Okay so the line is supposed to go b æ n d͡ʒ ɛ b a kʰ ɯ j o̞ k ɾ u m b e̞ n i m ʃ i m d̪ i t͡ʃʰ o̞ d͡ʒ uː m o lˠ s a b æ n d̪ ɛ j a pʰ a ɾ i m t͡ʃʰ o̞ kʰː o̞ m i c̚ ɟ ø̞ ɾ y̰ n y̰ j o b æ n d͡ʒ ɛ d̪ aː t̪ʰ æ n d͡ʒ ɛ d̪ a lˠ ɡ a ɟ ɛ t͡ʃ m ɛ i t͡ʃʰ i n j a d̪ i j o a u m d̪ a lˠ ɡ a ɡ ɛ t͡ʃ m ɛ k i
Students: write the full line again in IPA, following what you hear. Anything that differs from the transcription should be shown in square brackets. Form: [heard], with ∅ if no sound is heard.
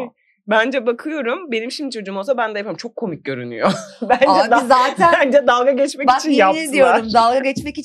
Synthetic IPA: b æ n d͡ʒ ɛ b a kʰ ɯ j o̞ [∅] ɾ u m b e̞ n i m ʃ i m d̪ i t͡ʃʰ o̞ d͡ʒ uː m o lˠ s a b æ n d̪ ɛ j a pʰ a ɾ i m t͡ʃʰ o̞ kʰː o̞ m i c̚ ɟ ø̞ ɾ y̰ n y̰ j o b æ n d͡ʒ ɛ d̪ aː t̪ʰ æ n d͡ʒ ɛ d̪ a lˠ ɡ a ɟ ɛ t͡ʃ m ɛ i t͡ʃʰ i n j a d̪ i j o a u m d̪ a lˠ ɡ a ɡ ɛ t͡ʃ m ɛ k i